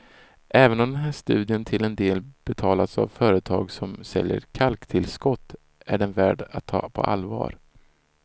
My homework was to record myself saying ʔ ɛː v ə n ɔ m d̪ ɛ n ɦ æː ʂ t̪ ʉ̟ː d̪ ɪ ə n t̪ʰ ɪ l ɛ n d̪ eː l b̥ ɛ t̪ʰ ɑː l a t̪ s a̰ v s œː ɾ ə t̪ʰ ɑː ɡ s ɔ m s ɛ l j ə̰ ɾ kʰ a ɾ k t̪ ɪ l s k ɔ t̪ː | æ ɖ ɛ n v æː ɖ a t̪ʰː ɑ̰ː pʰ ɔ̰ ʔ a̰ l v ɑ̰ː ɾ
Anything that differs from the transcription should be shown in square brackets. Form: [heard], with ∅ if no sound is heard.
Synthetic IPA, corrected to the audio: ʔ ɛː v ə n ɔ m d̪ ɛ n ɦ æː ʂ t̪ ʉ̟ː d̪ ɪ ə n t̪ʰ ɪ l ɛ n d̪ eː l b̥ ɛ t̪ʰ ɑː l a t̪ s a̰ v [f] œː ɾ ə t̪ʰ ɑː ɡ s ɔ m s ɛ l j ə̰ ɾ kʰ a [l] k [t̪ʰ] ɪ l s k ɔ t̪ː | æ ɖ ɛ n v æː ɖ a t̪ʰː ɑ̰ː pʰ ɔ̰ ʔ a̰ l v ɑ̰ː ɾ